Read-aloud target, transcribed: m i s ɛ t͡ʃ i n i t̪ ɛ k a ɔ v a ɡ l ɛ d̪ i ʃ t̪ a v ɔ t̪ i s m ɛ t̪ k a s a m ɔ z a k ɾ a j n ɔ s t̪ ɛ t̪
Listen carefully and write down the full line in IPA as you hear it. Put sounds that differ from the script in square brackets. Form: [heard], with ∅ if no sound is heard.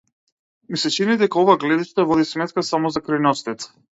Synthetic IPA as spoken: m i s ɛ t͡ʃ i n i [d̪] ɛ k a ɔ v a ɡ l ɛ d̪ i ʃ t̪ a v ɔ [d̪] i s m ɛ t̪ k a s a m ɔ z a k ɾ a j n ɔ s t̪ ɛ t̪